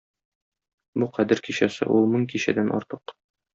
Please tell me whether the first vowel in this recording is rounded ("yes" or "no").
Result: yes